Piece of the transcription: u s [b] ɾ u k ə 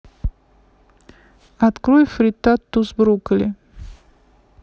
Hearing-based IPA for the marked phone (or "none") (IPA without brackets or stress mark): b